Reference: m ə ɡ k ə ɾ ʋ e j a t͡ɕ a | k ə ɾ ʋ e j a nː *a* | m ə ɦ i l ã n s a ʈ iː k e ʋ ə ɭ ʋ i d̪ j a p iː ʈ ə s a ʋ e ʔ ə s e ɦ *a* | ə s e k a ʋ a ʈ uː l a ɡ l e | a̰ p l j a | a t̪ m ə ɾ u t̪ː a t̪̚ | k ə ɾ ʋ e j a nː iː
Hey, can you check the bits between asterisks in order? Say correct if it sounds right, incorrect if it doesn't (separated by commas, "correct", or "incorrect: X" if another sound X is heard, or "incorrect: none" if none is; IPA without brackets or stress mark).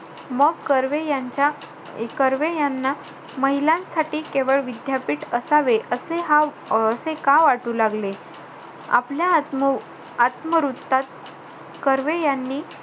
correct, correct